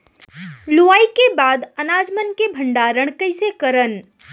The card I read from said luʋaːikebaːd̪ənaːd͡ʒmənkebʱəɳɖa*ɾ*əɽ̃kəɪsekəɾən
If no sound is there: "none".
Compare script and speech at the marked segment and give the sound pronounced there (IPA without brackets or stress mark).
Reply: ɾ